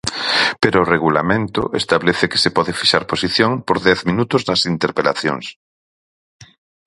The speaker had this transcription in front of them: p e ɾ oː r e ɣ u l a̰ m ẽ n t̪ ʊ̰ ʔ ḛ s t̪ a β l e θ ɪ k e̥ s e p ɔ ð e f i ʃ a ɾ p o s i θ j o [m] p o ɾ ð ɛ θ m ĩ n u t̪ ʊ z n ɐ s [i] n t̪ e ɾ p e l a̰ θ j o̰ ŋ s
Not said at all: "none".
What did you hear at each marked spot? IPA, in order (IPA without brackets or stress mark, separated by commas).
ŋ, i